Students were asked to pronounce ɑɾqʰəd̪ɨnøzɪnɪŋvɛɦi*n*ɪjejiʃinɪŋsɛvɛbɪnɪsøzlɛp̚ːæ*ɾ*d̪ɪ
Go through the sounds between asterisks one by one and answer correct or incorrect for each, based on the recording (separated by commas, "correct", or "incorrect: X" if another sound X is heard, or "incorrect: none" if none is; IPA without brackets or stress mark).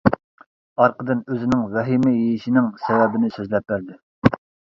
incorrect: m, correct